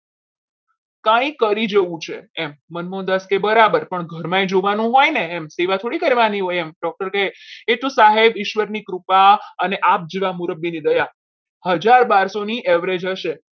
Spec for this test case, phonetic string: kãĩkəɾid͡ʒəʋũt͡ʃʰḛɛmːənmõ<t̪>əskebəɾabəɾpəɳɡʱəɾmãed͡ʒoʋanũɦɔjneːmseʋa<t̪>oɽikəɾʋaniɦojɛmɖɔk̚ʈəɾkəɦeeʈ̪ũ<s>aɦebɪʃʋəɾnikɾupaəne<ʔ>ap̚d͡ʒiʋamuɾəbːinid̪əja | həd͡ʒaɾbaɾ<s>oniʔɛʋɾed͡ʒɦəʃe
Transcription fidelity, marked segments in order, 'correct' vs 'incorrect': incorrect, incorrect, correct, correct, correct

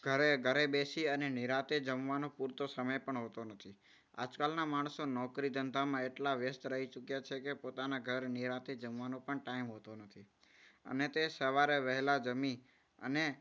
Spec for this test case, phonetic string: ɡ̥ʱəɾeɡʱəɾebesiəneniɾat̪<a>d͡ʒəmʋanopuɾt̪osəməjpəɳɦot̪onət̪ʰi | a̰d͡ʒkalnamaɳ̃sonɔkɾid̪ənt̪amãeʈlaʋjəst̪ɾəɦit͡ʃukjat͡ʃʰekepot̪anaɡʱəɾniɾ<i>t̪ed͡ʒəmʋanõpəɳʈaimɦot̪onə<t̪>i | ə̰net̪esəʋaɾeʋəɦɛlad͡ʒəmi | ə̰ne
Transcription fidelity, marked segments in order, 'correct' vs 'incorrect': incorrect, incorrect, incorrect

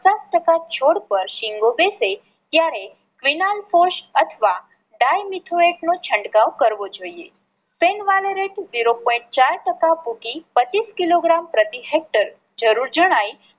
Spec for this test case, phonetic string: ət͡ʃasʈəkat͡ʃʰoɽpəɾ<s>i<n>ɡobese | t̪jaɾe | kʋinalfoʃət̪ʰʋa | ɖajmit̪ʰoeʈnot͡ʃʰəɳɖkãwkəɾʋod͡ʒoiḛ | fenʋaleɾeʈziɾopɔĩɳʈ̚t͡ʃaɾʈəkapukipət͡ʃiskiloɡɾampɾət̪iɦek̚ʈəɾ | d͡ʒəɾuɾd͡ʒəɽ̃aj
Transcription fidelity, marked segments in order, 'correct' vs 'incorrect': incorrect, incorrect

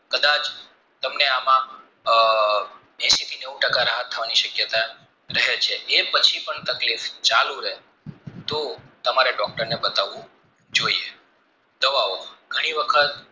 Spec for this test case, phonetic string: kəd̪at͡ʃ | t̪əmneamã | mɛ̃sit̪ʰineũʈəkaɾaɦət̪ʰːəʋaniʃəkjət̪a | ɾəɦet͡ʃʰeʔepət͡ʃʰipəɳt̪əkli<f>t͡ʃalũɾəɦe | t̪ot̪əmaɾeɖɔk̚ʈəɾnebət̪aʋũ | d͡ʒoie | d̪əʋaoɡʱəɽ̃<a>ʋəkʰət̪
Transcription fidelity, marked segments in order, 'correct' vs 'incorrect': correct, incorrect

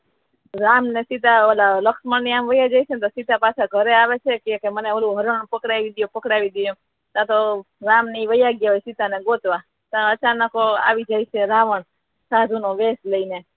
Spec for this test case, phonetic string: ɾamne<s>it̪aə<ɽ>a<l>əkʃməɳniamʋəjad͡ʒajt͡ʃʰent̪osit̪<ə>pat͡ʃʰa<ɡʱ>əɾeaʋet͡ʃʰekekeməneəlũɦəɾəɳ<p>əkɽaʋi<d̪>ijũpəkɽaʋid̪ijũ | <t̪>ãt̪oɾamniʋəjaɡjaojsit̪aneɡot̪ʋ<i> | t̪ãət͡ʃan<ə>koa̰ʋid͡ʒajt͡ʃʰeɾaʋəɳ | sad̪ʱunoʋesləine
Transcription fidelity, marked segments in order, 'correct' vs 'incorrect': correct, incorrect, correct, incorrect, correct, correct, correct, correct, incorrect, correct

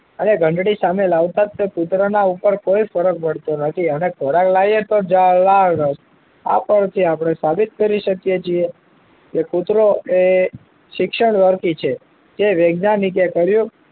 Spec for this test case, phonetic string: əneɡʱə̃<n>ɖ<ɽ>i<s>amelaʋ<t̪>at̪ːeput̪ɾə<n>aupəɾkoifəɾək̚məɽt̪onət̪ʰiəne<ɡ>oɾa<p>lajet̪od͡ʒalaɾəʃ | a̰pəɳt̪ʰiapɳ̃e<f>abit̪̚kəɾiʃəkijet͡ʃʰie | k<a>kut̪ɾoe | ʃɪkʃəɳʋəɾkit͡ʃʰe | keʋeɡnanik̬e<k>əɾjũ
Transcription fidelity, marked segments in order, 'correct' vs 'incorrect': incorrect, correct, correct, correct, correct, incorrect, incorrect, incorrect, incorrect, correct

